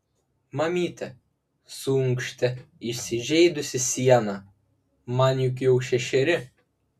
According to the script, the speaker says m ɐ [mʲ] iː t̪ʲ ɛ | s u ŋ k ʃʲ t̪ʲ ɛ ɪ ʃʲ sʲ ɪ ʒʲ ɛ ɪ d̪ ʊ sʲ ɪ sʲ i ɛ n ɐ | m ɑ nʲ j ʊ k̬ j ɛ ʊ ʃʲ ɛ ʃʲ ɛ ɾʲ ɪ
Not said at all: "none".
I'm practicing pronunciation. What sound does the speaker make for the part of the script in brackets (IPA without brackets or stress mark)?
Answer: mʲ